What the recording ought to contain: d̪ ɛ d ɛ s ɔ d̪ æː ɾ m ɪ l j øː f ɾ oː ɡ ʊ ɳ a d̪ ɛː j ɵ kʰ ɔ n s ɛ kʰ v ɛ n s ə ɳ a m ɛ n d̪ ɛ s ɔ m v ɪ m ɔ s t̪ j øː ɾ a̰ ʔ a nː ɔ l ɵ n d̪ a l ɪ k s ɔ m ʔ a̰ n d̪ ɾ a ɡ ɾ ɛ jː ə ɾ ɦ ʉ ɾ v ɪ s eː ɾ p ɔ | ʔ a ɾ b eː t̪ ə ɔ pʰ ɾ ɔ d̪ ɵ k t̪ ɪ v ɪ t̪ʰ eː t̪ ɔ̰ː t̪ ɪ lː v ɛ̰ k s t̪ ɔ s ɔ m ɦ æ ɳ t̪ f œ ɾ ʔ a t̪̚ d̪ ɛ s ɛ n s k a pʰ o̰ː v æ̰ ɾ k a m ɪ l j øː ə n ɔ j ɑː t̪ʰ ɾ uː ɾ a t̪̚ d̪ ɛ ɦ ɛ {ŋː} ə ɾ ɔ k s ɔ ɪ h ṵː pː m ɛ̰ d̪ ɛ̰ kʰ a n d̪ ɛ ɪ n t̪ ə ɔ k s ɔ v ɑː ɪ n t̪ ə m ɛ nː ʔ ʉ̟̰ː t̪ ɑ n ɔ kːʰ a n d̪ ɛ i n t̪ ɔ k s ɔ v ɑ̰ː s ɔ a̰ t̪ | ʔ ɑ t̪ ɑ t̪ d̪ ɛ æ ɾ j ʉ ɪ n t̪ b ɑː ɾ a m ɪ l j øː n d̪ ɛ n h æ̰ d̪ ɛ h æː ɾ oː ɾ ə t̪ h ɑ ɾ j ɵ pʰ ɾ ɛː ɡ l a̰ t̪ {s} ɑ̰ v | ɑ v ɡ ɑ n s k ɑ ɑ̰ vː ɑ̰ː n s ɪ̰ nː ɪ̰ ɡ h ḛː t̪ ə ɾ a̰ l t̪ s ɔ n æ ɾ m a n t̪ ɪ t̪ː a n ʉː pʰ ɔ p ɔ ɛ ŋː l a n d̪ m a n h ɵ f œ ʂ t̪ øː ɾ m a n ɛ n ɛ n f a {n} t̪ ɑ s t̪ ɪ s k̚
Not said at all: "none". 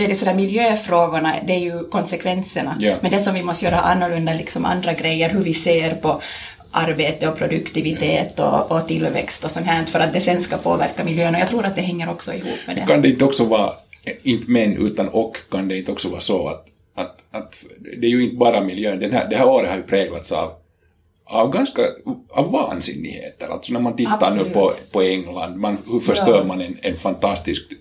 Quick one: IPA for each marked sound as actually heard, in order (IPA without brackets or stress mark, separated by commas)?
ŋː, s, n